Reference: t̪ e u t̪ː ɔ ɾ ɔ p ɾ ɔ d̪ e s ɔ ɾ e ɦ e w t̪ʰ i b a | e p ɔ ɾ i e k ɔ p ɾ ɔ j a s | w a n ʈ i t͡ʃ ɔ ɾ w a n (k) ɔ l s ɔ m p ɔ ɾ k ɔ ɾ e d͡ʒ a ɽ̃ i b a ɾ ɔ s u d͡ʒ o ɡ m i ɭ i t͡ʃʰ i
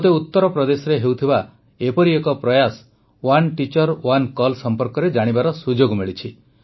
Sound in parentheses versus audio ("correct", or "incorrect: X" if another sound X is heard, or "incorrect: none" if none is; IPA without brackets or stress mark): correct